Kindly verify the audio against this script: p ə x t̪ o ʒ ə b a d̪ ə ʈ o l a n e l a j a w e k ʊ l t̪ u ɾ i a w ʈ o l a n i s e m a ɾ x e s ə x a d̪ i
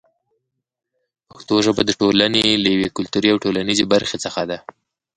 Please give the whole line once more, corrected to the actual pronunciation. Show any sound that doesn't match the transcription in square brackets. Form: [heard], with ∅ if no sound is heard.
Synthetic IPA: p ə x t̪ o ʒ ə b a d̪ ə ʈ o l a n e l a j a w e k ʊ l t̪ u ɾ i a w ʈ o l a n i [z] e [b] a ɾ x e [t͡s] ə x a d̪ [a]